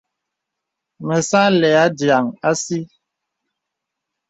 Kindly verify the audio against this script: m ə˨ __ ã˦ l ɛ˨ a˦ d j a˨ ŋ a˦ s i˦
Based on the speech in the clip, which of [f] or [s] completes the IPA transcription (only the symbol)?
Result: s